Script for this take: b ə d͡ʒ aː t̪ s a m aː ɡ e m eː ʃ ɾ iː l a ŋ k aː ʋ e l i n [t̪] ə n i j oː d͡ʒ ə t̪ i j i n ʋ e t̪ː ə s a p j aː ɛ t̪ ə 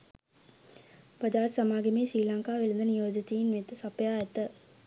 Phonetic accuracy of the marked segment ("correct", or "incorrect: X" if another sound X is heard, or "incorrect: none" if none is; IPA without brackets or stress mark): incorrect: d̪